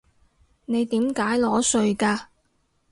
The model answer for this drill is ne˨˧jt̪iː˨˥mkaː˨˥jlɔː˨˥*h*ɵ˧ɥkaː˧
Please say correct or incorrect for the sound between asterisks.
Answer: incorrect